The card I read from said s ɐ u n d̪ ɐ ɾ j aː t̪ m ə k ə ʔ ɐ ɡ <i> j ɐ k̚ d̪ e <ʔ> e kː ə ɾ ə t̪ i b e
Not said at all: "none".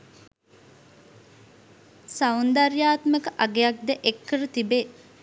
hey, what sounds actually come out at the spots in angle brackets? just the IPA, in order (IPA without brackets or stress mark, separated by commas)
e, ʔ